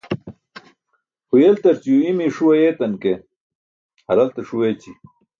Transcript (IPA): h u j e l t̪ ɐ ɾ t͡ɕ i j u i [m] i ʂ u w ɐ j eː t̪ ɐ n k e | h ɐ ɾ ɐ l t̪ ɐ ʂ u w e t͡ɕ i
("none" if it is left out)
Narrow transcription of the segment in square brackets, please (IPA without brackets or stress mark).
m